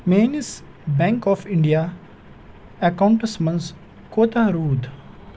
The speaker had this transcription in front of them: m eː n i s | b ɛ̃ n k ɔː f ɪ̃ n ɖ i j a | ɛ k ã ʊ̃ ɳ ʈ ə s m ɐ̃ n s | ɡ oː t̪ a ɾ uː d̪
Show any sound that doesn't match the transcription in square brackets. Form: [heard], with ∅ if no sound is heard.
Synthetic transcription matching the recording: m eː n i s | b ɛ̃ [ŋ] k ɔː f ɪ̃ [ɳ] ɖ i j a | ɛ k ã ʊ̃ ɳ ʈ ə s m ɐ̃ n s | [k] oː t̪ a ɾ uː d̪